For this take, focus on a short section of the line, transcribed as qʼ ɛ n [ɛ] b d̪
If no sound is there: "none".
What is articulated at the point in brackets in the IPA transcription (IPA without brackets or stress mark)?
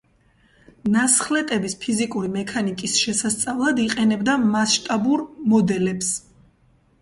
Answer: ɛ